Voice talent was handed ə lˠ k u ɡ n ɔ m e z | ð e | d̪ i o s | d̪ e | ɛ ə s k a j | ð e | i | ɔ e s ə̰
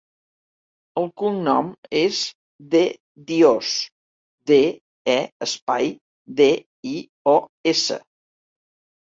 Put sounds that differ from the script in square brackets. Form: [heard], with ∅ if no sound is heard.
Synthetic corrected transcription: ə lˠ k u [ŋ] n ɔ m e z | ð e | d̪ i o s | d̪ e | ɛ ə s [p] a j | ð e | i | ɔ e s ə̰